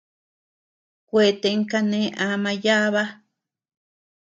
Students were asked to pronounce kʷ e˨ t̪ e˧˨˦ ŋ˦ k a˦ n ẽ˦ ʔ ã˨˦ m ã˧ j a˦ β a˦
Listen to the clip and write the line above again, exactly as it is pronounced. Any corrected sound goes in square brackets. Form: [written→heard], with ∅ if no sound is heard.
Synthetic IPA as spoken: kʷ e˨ t̪ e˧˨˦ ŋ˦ k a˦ n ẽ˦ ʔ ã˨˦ m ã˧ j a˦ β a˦